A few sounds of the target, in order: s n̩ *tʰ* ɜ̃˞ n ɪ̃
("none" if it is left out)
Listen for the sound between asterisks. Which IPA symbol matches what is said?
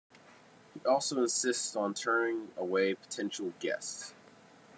tʰ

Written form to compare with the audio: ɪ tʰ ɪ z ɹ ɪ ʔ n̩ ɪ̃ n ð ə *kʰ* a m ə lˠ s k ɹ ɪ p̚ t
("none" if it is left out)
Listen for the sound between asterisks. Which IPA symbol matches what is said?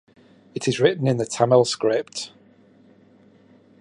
tʰ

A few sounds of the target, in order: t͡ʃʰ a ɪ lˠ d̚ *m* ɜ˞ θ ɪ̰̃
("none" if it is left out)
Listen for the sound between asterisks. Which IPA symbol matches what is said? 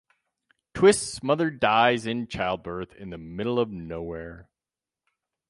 b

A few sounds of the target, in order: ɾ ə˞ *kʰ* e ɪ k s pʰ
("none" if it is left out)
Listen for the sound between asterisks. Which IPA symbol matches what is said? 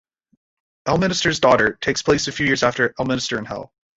tʰ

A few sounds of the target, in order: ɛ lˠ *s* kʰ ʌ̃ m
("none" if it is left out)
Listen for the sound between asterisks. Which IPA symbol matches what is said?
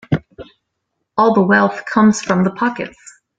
θ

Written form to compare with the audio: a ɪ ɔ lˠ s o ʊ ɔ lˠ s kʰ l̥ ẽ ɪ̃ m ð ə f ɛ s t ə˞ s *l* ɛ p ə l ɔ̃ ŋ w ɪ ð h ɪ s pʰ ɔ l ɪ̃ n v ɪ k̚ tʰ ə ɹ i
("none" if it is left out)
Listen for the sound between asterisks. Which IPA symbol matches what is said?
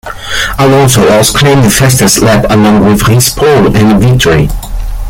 l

